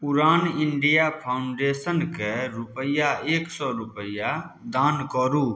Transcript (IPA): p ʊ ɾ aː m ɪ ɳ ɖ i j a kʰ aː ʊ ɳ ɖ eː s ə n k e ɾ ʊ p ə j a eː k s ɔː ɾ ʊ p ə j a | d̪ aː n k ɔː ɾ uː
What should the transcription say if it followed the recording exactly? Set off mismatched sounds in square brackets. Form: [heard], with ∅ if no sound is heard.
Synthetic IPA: p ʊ ɾ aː [n] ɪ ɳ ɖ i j a [pʰ] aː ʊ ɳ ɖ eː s ə n k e ɾ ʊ p ə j a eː k s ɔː ɾ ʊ p ə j a | d̪ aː n k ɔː ɾ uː

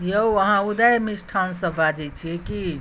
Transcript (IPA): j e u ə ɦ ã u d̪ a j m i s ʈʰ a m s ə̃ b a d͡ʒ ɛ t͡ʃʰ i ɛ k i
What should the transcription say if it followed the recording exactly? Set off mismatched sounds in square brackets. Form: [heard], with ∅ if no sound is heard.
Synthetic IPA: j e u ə ɦ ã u d̪ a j m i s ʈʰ a [n] s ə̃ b a d͡ʒ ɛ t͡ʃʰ i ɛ k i

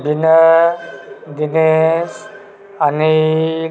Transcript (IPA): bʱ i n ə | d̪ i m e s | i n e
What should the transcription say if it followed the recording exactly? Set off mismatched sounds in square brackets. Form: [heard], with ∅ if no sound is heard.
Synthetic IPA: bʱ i n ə | d̪ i [n] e s | [a] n [i]

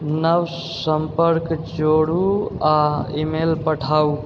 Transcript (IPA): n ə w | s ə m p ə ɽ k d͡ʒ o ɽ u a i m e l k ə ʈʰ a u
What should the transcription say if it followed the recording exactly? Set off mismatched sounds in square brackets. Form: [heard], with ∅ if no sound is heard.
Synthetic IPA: n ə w | s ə m p ə [ɾ] k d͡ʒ o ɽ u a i m e l [p] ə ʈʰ a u

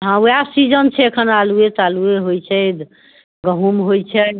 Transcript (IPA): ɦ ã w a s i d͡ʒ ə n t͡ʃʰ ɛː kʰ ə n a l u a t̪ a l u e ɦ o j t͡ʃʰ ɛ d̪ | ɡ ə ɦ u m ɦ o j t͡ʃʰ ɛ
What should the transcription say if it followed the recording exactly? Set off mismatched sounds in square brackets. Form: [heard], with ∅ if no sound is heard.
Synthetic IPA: ɦ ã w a s i d͡ʒ ə n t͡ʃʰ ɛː kʰ ə n a l u [e] t̪ a l u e ɦ o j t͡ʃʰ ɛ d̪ | ɡ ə ɦ u m ɦ o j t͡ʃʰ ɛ

